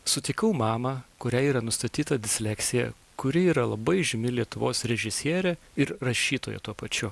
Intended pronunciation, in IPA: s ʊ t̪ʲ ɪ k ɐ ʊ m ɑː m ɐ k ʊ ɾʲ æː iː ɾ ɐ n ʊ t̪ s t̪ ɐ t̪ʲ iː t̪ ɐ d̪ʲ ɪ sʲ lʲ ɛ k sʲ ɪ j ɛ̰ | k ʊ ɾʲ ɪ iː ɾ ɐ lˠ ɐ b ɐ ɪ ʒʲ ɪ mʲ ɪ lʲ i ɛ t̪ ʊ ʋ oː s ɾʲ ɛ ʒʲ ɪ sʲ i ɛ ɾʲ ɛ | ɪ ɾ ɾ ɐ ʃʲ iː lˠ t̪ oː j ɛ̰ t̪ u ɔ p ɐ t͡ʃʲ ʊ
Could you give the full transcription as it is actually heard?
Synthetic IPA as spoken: s ʊ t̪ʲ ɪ k ɐ ʊ m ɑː m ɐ k ʊ ɾʲ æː iː ɾ ɐ n ʊ s t̪ ɐ t̪ʲ iː t̪ ɐ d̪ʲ ɪ sʲ lʲ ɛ k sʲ ɪ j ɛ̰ | k ʊ ɾʲ ɪ iː ɾ ɐ lˠ ɐ b ɐ ɪ ʒʲ ɪ mʲ ɪ lʲ i ɛ t̪ ʊ ʋ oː s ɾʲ ɛ ʒʲ ɪ sʲ i ɛ ɾʲ ɛ | ɪ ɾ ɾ ɐ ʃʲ iː t̪ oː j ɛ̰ t̪ u ɔ p ɐ t͡ʃʲ ʊ